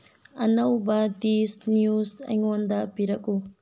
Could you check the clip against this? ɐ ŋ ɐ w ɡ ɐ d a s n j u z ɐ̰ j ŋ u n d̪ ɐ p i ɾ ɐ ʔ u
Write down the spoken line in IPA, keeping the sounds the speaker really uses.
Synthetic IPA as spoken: ɐ n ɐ w b ɐ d i s n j u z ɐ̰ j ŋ o n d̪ ɐ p i ɾ ɐ k u